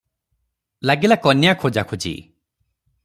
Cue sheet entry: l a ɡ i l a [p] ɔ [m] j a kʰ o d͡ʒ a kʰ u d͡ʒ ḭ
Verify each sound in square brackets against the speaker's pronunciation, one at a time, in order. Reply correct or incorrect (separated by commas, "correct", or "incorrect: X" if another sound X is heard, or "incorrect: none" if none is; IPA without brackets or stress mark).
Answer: incorrect: k, incorrect: n